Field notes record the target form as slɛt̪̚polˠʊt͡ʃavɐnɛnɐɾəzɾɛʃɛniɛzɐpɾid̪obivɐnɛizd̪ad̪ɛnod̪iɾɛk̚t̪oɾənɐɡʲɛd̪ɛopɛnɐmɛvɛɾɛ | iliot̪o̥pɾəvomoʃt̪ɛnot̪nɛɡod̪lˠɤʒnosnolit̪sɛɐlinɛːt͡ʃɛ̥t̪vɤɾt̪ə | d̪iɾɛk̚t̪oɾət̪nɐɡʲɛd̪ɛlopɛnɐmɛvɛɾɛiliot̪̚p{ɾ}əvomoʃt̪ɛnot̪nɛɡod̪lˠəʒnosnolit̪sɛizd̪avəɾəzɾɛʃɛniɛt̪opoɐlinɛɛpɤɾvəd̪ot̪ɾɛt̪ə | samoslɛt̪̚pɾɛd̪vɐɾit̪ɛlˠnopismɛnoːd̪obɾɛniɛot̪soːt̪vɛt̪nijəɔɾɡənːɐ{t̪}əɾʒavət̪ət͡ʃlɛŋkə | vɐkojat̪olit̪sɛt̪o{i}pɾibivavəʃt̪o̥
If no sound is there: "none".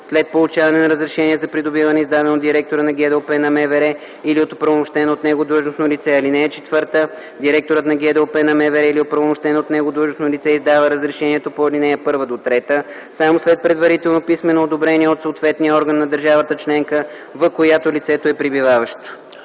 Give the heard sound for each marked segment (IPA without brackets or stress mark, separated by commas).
ɾ, d̪, ɛ